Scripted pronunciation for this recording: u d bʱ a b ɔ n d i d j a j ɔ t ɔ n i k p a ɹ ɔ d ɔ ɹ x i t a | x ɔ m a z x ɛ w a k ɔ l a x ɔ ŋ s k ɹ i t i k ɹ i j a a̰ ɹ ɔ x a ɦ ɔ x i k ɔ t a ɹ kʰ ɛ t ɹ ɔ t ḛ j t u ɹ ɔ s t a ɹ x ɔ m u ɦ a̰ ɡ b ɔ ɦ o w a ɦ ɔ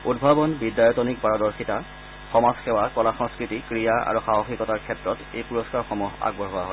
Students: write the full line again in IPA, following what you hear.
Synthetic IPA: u d bʱ a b ɔ n b i d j a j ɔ t ɔ n i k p a ɹ ɔ d ɔ ɹ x i t a | x ɔ m a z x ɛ w a k ɔ l a x ɔ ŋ s k ɹ i t i k ɹ i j a a̰ ɹ u x a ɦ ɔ x i k ɔ t a ɹ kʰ ɛ t ɹ ɔ t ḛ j p u ɹ ɔ s k a ɹ x ɔ m u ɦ a̰ ɡ b ɔ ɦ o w a ɦ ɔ